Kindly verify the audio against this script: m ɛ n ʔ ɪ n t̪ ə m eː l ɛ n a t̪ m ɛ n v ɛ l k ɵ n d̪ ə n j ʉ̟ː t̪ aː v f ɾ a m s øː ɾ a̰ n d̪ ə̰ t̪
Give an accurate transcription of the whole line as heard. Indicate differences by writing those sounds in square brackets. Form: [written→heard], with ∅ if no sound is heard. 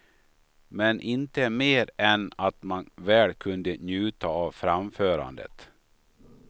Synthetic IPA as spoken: m ɛ n ʔ ɪ n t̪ ə m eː [l→ɾ] ɛ n a t̪ m [ɛ→a] n v [ɛ→ɛː] l [k→kʰ] ɵ n d̪ ə n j ʉ̟ː t̪ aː v f ɾ a m [s→f] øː ɾ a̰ n d̪ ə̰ t̪